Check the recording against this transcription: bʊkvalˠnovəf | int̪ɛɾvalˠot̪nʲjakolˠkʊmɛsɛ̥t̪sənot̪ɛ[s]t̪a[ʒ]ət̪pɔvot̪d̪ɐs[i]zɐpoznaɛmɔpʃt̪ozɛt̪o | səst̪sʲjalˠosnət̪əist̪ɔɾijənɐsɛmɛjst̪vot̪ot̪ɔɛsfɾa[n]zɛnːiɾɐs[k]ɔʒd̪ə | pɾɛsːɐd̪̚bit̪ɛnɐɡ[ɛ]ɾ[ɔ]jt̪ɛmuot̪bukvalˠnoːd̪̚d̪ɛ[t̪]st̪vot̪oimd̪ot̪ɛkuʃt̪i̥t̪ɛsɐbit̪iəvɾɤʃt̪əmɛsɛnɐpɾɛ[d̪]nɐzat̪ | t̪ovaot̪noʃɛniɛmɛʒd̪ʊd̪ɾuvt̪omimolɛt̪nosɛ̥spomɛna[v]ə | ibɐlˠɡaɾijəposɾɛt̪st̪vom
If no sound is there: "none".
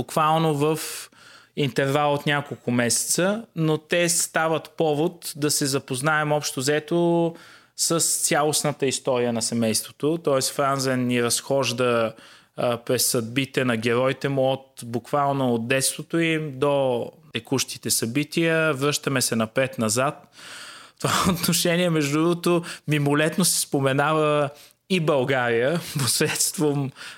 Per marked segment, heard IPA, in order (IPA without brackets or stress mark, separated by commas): s, v, ɛ, n, x, ɛ, ɔ, t̪, t̪, v